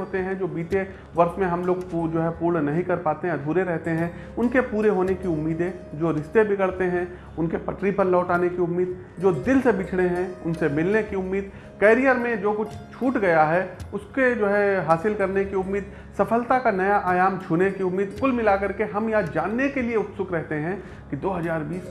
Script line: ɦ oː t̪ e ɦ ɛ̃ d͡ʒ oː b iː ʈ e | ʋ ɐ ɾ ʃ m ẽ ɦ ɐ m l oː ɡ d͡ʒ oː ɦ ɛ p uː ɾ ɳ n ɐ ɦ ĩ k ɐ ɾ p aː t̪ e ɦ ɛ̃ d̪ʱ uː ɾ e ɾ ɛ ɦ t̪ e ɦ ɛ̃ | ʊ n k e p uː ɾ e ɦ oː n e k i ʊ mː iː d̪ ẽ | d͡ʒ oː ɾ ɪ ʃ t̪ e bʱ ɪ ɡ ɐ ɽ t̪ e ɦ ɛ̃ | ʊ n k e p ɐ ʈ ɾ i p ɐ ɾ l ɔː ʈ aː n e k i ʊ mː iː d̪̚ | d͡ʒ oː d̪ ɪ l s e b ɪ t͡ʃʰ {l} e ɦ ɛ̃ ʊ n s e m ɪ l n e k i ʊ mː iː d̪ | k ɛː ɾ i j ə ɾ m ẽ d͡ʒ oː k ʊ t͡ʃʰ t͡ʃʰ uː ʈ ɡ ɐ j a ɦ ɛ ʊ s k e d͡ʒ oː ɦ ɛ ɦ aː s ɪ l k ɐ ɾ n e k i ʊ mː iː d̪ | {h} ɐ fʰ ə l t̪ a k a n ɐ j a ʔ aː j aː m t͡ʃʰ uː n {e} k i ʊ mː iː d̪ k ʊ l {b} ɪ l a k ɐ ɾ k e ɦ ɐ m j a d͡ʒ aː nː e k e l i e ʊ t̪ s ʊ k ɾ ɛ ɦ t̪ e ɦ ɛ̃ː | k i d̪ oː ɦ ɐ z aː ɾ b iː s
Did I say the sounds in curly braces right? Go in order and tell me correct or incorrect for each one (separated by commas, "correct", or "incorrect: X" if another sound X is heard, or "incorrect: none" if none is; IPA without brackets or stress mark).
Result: incorrect: ɽ, incorrect: s, correct, incorrect: m